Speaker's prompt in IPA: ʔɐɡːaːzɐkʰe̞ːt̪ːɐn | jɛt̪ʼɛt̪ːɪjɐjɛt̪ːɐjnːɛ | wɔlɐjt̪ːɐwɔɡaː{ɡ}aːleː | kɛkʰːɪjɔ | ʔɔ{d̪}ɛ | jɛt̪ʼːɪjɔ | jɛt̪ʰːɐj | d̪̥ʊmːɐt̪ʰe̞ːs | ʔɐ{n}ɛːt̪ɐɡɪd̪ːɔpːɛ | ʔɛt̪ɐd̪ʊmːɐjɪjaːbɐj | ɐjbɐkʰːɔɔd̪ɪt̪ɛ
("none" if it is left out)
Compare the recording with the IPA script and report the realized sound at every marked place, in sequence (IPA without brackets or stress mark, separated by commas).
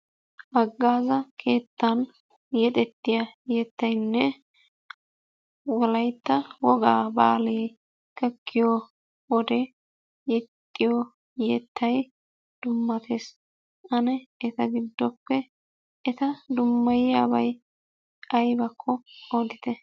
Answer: b, d̪, n